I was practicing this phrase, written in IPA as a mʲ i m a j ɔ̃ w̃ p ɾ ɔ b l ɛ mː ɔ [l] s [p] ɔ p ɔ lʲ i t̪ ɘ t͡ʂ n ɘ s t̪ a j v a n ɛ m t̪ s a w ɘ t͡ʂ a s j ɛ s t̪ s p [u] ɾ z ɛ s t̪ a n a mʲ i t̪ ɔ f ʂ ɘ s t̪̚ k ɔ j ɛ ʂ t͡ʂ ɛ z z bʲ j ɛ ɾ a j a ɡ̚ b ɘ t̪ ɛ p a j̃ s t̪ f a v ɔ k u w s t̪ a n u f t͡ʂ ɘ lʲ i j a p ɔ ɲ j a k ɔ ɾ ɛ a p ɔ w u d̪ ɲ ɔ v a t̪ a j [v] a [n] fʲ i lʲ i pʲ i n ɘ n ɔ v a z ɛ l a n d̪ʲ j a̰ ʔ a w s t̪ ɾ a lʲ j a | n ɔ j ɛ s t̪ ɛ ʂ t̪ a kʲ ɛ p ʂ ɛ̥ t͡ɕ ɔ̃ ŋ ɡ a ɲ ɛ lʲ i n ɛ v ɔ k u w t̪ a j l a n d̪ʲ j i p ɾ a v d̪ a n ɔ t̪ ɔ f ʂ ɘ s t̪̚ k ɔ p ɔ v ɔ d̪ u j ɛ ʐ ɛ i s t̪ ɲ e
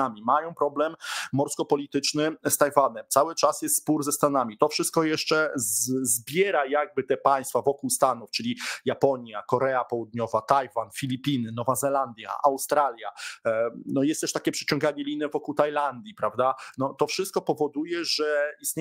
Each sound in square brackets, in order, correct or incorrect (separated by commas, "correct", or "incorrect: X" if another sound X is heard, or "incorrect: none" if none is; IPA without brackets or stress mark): incorrect: ɾ, incorrect: k, correct, correct, correct